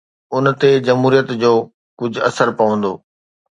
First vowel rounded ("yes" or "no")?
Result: yes